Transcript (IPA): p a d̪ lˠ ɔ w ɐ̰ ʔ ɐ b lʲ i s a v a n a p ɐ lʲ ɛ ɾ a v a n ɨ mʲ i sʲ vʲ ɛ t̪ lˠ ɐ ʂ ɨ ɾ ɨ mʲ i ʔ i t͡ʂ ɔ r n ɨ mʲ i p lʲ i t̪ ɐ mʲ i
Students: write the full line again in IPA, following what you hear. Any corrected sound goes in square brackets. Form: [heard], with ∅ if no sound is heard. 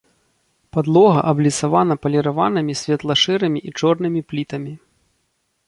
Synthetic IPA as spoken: p a d̪ lˠ ɔ [ɣ] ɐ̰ ʔ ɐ b lʲ i s a v a n [ɐ] p ɐ lʲ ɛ ɾ a v a n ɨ mʲ i sʲ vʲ ɛ t̪ lˠ ɐ ʂ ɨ ɾ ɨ mʲ i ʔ i t͡ʂ ɔ r n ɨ mʲ i p lʲ i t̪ ɐ mʲ i

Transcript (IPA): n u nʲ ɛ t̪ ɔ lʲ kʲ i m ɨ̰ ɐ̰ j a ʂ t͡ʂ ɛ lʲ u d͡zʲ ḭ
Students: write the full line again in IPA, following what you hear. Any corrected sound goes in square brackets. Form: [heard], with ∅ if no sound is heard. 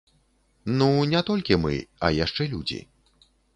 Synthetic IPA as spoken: n u nʲ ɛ t̪ ɔ lʲ kʲ i m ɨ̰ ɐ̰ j a ʂ t͡ʂ ɛ lʲ u d͡zʲ ḭ

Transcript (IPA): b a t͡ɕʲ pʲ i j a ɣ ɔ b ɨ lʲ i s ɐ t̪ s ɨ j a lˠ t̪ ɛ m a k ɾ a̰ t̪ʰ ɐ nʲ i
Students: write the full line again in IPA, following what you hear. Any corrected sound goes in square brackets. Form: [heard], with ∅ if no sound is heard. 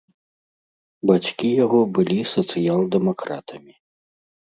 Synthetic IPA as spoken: b a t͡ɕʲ [kʲ] i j a ɣ ɔ b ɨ lʲ i s ɐ t̪ s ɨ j a lˠ [d̪] ɛ m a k ɾ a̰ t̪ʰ ɐ [mʲ] i

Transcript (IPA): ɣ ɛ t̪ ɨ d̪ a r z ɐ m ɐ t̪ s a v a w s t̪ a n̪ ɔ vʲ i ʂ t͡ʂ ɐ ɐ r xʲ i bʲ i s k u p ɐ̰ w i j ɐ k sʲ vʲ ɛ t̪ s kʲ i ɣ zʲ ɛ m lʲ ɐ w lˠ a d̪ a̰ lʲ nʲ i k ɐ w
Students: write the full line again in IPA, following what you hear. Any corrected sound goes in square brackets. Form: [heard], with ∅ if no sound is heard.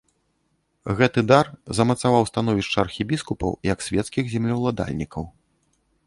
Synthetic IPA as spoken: ɣ ɛ t̪ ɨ d̪ a r z ɐ m ɐ t̪ s a v a w s t̪ a n̪ ɔ vʲ i ʂ t͡ʂ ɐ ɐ r xʲ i bʲ i s k u p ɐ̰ w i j ɐ k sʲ vʲ ɛ t̪ s kʲ i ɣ zʲ ɛ m lʲ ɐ w lˠ a d̪ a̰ lʲ nʲ i k ɐ w

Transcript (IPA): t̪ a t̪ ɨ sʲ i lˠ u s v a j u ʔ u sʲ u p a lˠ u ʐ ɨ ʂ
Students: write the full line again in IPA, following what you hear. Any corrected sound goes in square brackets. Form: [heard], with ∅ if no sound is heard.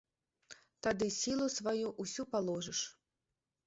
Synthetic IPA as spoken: t̪ a [d̪] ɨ sʲ i lˠ u s v a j u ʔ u sʲ u p a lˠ [ɔ] ʐ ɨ ʂ

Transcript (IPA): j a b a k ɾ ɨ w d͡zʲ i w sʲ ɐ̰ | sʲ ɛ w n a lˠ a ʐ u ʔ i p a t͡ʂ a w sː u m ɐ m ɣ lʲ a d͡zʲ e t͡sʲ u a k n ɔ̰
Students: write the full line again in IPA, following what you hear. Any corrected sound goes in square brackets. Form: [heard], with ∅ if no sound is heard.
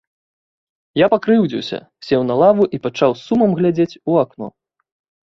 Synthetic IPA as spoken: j a [p] a k ɾ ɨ w d͡zʲ i w sʲ ɐ̰ | sʲ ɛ w n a lˠ a [v] u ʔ i p a t͡ʂ a w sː u m ɐ m ɣ lʲ a d͡zʲ e t͡sʲ u a k n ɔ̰

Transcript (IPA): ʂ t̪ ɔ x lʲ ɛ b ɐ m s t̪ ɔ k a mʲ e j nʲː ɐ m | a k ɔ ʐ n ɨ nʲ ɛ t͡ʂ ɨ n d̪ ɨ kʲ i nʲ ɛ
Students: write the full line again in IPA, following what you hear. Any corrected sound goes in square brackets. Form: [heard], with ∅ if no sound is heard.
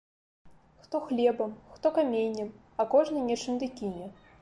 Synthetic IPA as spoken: [x] t̪ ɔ x lʲ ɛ b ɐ m [x] t̪ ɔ k a mʲ e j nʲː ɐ m | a k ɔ ʐ n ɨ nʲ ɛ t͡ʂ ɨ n d̪ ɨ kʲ i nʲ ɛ

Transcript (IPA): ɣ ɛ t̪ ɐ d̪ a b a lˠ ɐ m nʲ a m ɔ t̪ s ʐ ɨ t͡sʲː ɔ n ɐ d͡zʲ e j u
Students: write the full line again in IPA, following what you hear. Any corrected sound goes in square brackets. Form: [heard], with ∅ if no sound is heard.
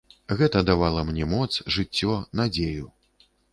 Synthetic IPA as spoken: ɣ ɛ t̪ ɐ d̪ a [v] a lˠ ɐ m nʲ [ɛ] m ɔ t̪ s ʐ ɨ t͡sʲː ɔ n [a] d͡zʲ e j u

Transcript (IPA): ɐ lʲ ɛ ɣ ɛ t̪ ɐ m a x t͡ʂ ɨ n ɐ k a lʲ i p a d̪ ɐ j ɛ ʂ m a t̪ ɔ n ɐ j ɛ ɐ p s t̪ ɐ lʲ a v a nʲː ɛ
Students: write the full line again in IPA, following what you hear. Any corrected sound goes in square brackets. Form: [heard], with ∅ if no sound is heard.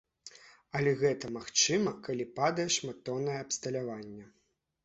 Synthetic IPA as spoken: ɐ lʲ ɛ ɣ ɛ t̪ ɐ m a x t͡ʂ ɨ [m] ɐ k a lʲ i p a d̪ ɐ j ɛ ʂ m a t̪ ɔ n ɐ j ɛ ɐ p s t̪ ɐ lʲ a v a nʲː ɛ

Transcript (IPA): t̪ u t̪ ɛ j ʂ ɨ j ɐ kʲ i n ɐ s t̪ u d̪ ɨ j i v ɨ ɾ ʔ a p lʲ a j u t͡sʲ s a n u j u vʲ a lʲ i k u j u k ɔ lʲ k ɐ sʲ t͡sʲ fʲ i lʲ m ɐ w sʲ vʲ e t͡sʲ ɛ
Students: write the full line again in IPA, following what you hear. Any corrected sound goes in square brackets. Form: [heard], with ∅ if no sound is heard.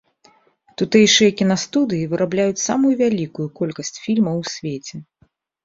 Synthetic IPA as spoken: t̪ u t̪ ɛ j ʂ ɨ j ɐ kʲ i n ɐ s t̪ u d̪ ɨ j i v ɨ ɾ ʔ a [b] lʲ a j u t͡sʲ s a [m] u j u vʲ a lʲ i k u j u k ɔ lʲ k ɐ sʲ t͡sʲ fʲ i lʲ m ɐ w sʲ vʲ e t͡sʲ ɛ

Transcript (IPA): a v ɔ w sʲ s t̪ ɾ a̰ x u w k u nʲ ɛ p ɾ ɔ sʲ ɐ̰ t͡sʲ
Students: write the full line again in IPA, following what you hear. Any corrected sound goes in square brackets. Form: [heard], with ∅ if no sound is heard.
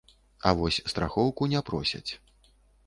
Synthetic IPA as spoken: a v ɔ [∅] sʲ s t̪ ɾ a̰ x [ɔ] w k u nʲ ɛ p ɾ ɔ sʲ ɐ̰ t͡sʲ

